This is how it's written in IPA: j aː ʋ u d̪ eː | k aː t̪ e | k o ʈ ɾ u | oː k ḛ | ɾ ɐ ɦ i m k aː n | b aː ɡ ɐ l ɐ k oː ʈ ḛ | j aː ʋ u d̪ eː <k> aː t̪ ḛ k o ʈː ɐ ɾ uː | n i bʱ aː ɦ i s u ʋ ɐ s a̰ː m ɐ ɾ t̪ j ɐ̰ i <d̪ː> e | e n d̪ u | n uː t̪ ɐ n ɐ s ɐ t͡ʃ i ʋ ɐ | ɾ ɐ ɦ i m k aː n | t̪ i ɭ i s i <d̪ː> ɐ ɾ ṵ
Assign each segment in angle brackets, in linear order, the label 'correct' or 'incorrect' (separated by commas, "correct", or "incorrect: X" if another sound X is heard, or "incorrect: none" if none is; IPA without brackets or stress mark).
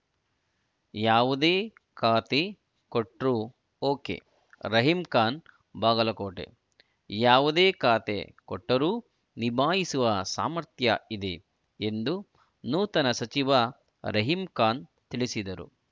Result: correct, incorrect: d̪, incorrect: d̪